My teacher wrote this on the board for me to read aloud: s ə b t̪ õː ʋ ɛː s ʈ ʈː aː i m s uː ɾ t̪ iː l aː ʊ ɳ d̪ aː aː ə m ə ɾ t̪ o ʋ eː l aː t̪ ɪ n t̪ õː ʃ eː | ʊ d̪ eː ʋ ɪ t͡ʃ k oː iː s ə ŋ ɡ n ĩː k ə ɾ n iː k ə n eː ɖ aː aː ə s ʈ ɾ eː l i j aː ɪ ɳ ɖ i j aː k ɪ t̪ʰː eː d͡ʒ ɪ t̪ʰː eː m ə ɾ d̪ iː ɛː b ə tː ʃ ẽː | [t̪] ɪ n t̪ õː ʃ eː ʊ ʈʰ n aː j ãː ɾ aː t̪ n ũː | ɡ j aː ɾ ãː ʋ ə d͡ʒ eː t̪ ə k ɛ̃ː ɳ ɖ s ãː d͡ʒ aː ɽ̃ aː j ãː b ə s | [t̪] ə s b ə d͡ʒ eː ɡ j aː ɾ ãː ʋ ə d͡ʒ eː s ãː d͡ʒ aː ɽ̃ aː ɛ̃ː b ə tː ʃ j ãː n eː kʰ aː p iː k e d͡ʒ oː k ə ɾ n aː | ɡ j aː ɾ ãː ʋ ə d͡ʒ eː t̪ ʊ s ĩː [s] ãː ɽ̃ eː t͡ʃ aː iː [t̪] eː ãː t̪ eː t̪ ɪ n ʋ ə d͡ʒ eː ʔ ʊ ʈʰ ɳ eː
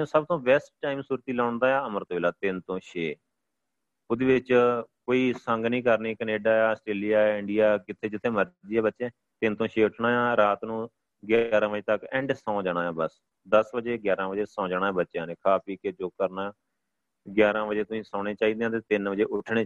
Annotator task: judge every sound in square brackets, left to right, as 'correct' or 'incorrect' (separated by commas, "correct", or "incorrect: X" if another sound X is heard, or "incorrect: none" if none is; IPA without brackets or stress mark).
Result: correct, incorrect: d̪, correct, incorrect: d̪